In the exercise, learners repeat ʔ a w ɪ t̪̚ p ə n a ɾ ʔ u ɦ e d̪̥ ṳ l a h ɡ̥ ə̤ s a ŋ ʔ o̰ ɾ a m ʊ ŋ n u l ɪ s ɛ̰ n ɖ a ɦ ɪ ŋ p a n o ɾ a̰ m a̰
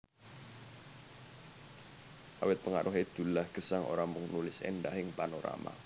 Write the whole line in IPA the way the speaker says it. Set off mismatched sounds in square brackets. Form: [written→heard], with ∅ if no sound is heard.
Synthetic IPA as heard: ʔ a w ɪ t̪̚ p ə [n→ŋ] a ɾ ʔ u ɦ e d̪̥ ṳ l a h ɡ̥ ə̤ s a ŋ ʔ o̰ ɾ a m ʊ ŋ n u l ɪ s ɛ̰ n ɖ a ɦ ɪ ŋ p a n o ɾ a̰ m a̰

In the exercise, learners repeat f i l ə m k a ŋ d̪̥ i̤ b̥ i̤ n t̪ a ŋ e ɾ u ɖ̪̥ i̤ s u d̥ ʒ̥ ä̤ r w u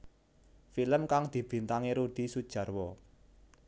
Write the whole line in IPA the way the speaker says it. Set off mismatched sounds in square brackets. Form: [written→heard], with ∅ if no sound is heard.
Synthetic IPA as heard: f i l ə m k a ŋ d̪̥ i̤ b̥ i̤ n t̪ a ŋ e ɾ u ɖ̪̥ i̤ s u d̥ ʒ̥ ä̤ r w [u→ɔ]

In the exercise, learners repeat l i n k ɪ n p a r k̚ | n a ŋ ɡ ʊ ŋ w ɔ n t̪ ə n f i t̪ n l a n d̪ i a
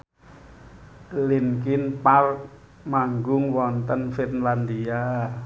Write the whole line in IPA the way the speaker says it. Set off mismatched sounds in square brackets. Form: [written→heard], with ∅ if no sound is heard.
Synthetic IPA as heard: l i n k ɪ n p a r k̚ | [n→m] a ŋ ɡ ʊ ŋ w ɔ n t̪ ə n f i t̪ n l a n d̪ i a

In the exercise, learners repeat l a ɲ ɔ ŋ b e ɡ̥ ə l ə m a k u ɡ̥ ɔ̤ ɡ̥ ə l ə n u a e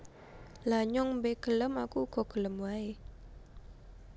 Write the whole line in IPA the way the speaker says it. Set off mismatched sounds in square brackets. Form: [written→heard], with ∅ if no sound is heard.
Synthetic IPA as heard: l a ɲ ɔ ŋ b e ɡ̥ ə l ə m a k u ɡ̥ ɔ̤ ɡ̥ ə l ə [n→m] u a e

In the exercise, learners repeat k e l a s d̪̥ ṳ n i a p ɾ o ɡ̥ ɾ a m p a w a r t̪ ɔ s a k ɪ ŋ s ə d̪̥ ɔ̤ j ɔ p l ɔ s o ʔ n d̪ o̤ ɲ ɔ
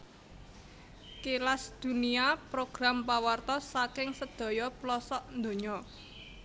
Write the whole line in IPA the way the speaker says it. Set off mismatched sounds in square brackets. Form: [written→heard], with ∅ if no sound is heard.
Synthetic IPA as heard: k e l a s d̪̥ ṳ n i a p ɾ o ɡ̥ ɾ a m p a w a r t̪ ɔ s a k ɪ ŋ s ə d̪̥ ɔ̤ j ɔ p l ɔ s [o→ɔ] ʔ n d̪ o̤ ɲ ɔ

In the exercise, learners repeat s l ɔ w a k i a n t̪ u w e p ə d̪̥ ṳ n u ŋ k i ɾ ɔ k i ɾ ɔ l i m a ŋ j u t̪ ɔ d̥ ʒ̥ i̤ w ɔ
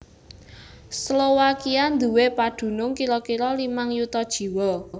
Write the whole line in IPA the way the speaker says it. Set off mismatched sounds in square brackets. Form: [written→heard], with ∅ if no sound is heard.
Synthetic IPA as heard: s l [ɔ→o] w a k i a n [t̪→d̪] u w e p [ə→a] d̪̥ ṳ n [u→ʊ] ŋ k i ɾ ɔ k i ɾ ɔ l i m a ŋ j u t̪ ɔ d̥ ʒ̥ i̤ w ɔ

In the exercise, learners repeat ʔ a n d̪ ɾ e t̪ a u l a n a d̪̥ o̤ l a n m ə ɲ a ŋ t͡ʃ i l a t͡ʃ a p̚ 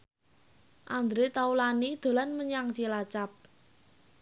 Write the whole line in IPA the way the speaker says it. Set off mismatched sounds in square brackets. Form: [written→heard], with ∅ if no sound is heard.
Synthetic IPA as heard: ʔ a n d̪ ɾ e t̪ a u l a n [a→i] d̪̥ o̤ l a n m ə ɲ a ŋ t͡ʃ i l a t͡ʃ a p̚

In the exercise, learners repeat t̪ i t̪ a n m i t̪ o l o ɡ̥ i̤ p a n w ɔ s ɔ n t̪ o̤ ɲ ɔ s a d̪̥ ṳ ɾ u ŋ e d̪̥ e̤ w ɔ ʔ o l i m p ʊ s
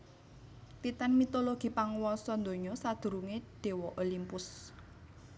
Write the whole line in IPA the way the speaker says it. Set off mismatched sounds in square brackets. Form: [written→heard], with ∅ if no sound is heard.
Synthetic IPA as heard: t̪ i t̪ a n m i t̪ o l o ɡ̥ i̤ p a [n→ŋ] w ɔ s ɔ n [t̪→d̪] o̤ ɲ ɔ s a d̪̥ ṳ ɾ u ŋ e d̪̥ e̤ w ɔ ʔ o l i m p ʊ s

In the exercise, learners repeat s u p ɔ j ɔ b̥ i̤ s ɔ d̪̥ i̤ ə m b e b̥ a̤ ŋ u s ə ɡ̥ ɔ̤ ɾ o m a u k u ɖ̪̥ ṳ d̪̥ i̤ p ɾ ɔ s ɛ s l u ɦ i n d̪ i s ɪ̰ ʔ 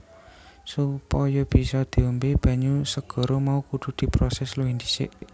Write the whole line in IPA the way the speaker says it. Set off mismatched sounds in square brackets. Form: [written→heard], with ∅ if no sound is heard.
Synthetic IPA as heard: s u p ɔ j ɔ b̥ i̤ s ɔ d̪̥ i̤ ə m b e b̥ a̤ [ŋ→ɲ] u s ə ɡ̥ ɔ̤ ɾ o m a u k u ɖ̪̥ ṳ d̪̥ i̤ p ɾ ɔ s ɛ s l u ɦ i n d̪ i s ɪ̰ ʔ

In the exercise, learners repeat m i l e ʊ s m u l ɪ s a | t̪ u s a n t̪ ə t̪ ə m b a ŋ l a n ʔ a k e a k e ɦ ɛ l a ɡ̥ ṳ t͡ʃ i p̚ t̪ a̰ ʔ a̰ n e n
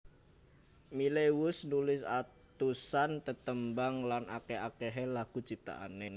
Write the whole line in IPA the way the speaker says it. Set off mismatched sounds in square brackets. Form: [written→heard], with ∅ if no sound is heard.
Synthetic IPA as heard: m i l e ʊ s [m→n] u l ɪ s a | t̪ u s a n t̪ ə t̪ ə m b a ŋ l a n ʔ a k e a k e ɦ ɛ l a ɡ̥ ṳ t͡ʃ i p̚ t̪ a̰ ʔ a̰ n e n

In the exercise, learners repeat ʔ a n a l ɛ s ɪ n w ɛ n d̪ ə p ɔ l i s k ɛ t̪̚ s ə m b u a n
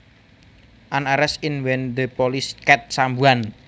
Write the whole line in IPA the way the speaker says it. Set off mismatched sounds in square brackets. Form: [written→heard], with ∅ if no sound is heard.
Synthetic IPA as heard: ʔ a n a [l→ɾ] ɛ s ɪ n w ɛ n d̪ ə p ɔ l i s k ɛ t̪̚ s [ə→a] m b u a n

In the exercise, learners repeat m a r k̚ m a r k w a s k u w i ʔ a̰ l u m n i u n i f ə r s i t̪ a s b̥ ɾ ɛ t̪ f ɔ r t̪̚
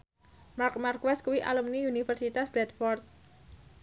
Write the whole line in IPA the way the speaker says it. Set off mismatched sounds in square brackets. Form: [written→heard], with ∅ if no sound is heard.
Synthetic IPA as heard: m a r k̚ m a r k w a s k u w i ʔ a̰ l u m n i u n i f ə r s i t̪ a s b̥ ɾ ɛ t̪ f ɔ r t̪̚

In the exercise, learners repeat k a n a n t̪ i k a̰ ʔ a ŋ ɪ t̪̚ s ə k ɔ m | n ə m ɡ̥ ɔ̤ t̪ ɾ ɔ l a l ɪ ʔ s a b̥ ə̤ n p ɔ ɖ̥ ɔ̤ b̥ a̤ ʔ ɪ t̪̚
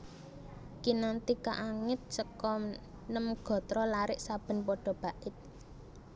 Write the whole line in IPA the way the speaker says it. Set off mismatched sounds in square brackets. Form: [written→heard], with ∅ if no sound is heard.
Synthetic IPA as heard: k [a→i] n a n t̪ i k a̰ ʔ a ŋ ɪ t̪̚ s ə k ɔ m | n ə m ɡ̥ ɔ̤ t̪ ɾ ɔ l a [l→ɾ] ɪ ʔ s a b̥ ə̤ n p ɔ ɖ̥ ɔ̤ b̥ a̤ ʔ ɪ t̪̚

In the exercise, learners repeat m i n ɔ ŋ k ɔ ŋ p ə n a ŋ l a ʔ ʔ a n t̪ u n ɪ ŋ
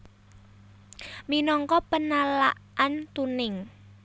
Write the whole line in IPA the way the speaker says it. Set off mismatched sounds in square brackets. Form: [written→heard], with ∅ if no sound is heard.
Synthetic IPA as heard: m i n ɔ ŋ k ɔ [ŋ→∅] p ə n a [ŋ→∅] l a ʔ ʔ a n t̪ u n ɪ ŋ

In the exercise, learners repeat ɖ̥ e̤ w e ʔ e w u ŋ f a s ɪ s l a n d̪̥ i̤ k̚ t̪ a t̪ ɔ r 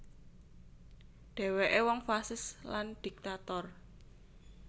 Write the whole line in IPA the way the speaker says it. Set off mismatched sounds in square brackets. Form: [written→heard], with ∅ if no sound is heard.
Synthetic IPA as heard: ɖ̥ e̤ w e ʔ e w [u→ɔ] ŋ f a s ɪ s l a n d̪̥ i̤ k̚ t̪ a t̪ ɔ r

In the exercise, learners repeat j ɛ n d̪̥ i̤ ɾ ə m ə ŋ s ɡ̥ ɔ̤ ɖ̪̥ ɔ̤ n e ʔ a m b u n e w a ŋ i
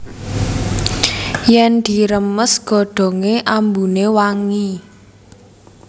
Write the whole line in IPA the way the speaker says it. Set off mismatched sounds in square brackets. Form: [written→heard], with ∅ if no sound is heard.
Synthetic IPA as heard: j ɛ n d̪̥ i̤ ɾ ə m ə [ŋ→∅] s ɡ̥ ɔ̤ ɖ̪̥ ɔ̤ [n→ŋ] e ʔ a m b u n e w a ŋ i

